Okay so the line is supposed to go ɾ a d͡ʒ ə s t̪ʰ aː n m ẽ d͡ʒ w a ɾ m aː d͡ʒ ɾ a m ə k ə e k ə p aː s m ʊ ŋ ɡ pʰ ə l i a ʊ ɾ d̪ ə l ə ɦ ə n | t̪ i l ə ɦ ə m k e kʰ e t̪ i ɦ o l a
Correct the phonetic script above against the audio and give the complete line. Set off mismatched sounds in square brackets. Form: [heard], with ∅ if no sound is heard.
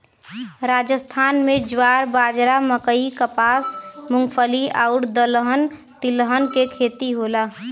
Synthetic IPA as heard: ɾ a d͡ʒ ə s t̪ʰ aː n m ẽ d͡ʒ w a ɾ [b] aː d͡ʒ ɾ a m ə k ə [i] k ə p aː s m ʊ ŋ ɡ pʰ ə l i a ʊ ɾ d̪ ə l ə ɦ ə n | t̪ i l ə ɦ ə [n] k e kʰ e t̪ i ɦ o l a